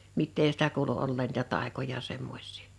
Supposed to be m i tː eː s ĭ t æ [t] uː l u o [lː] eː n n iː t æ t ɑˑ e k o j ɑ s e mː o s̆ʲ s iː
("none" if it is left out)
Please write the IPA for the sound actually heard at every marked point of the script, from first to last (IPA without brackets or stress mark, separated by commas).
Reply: k, lː